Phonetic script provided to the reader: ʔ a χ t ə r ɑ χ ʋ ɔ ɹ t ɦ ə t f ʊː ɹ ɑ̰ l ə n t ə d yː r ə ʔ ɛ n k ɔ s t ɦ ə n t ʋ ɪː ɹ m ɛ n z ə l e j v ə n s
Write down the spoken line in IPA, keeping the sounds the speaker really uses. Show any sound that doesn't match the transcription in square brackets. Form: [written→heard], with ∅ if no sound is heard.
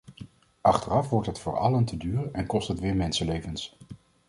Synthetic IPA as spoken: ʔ [a→ɑ] χ t ə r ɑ [χ→f] ʋ ɔ ɹ t ɦ ə t f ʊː ɹ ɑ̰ l ə n t ə d yː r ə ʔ ɛ n k ɔ s t ɦ ə [n→∅] t ʋ ɪː ɹ m ɛ n [z→s] ə l e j v ə n s

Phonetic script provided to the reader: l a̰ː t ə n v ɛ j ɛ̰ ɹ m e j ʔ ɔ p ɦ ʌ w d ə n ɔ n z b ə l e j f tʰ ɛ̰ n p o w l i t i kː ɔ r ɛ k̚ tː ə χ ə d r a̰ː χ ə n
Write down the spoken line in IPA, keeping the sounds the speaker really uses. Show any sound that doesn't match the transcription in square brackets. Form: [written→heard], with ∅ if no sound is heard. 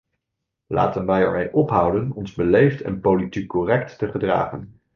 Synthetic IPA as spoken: l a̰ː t ə n [v→ʋ] ɛ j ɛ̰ ɹ m e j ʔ ɔ p ɦ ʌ w d ə n ɔ n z b ə l e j f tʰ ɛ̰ n p o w l i t i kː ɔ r ɛ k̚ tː ə χ ə d r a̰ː χ ə n

